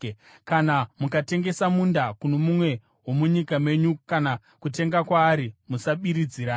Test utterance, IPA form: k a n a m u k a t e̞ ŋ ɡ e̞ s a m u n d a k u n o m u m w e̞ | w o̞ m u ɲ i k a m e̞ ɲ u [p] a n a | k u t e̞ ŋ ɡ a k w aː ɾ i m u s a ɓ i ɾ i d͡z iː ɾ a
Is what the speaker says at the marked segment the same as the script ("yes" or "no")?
no